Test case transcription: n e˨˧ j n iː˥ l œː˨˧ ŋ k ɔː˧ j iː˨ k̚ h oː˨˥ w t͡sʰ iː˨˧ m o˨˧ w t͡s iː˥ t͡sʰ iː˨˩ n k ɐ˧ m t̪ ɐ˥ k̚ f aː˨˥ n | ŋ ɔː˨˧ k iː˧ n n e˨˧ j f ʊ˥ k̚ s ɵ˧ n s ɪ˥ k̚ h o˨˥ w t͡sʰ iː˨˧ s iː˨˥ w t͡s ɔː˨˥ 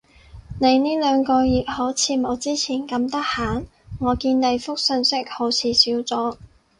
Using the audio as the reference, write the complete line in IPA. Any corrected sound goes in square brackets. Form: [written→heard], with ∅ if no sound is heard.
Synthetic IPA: n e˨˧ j n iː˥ l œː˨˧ ŋ k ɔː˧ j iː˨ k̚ h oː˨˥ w t͡sʰ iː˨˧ m o˨˧ w t͡s iː˥ t͡sʰ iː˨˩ n k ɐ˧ m t̪ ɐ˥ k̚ [f→h] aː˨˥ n | ŋ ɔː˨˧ k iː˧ n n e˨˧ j f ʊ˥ k̚ s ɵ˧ n s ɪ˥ k̚ h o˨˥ w t͡sʰ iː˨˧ s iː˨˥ w t͡s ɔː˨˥